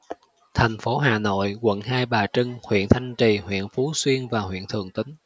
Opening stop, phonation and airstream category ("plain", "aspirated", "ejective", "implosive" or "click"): aspirated